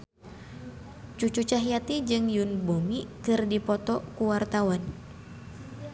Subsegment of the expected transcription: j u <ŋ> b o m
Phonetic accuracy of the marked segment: incorrect: n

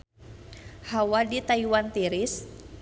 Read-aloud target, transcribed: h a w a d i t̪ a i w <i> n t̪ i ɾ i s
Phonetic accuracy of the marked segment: incorrect: a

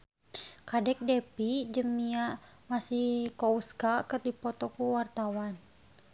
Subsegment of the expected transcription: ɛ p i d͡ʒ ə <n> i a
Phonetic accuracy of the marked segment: incorrect: m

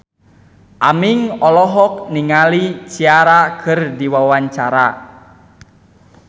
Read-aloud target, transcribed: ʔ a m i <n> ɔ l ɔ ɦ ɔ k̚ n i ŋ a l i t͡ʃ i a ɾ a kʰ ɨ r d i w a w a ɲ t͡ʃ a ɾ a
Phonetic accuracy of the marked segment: incorrect: ŋ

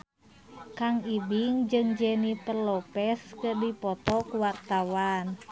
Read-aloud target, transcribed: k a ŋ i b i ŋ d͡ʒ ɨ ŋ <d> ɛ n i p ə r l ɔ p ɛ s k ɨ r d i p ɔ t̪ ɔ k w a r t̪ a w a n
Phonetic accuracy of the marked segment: incorrect: d͡ʒ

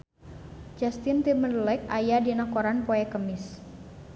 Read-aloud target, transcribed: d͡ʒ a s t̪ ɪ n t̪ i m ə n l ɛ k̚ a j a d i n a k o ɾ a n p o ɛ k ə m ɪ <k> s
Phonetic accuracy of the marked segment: incorrect: none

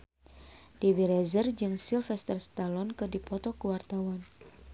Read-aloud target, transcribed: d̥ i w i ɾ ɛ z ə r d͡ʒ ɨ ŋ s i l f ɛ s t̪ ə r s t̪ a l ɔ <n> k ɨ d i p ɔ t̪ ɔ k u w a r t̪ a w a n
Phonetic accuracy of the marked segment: correct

